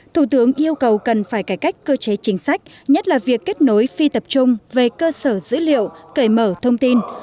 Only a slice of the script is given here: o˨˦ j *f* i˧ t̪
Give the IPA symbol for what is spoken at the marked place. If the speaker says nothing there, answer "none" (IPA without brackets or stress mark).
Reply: f